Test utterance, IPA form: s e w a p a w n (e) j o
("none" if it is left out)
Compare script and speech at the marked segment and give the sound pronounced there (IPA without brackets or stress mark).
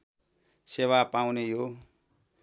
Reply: e